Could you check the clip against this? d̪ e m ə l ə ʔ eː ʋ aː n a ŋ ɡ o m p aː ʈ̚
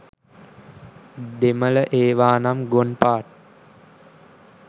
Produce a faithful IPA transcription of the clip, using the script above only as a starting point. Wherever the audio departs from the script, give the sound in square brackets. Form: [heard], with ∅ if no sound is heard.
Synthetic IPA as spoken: d̪ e m ə l ə ʔ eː ʋ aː n a [m] ɡ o [n] p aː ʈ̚